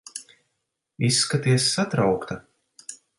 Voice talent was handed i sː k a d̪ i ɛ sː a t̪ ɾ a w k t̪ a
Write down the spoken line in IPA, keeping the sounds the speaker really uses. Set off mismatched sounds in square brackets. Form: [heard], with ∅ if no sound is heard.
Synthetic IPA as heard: i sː k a [t̪] i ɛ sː a t̪ ɾ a w k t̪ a